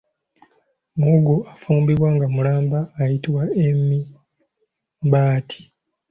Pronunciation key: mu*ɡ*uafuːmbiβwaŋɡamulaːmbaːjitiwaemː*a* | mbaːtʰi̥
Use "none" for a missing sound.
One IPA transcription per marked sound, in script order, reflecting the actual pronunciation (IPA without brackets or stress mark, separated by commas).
ɡ, i